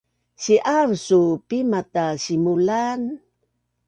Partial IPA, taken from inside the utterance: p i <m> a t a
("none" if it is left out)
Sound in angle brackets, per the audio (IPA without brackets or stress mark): m